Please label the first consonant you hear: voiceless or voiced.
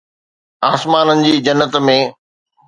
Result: voiceless